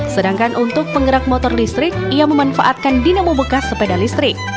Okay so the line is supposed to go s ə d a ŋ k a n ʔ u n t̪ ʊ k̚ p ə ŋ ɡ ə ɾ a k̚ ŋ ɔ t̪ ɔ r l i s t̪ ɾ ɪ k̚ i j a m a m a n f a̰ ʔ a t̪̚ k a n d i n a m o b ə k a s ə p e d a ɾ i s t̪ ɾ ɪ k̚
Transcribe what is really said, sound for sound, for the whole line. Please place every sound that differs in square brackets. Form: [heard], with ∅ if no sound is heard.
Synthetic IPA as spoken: s ə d a ŋ k a n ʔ u n t̪ ʊ k̚ p ə ŋ ɡ ə ɾ a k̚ [m] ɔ t̪ ɔ r l i s t̪ ɾ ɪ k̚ i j a m [ə] m a n f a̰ ʔ a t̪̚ k a n d i n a m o b ə k a s ə p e d a [l] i s t̪ ɾ ɪ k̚